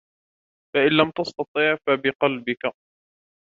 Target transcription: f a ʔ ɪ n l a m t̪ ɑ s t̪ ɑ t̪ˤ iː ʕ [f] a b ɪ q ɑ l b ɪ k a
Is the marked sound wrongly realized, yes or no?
no